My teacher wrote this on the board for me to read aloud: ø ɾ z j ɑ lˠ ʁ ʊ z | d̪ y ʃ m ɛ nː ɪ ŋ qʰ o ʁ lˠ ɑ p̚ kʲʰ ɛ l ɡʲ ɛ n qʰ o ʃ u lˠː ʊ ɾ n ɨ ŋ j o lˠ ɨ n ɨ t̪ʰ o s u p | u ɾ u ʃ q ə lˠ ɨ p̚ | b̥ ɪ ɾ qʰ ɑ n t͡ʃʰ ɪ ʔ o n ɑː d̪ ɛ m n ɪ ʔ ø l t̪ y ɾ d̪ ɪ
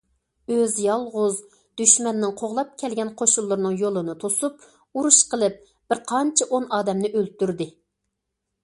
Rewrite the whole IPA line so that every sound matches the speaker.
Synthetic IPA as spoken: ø z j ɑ lˠ ʁ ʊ z | d̪ y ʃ m ɛ nː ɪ ŋ qʰ o ʁ lˠ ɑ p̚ kʲʰ ɛ l ɡʲ ɛ n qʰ o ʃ u lˠː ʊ ɾ n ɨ ŋ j o lˠ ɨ n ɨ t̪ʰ o s u p | u ɾ u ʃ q ə lˠ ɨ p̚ | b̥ ɪ ɾ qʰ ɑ n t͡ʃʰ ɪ ʔ o n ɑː d̪ ɛ m n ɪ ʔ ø l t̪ y ɾ d̪ ɪ